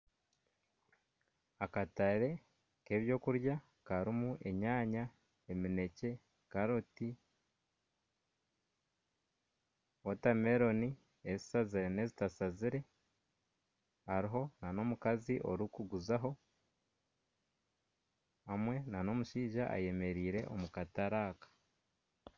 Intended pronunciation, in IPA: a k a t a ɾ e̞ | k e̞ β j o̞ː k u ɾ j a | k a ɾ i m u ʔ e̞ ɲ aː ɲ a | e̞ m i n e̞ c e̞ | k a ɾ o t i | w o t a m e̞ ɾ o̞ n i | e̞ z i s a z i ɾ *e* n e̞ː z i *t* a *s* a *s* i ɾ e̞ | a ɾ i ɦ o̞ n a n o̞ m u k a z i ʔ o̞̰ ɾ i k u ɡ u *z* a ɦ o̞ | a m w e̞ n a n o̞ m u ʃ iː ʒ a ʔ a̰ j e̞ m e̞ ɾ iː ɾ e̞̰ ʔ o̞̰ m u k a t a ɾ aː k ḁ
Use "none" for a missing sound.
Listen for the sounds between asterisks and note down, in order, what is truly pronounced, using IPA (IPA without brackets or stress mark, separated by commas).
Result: e, t, s, z, z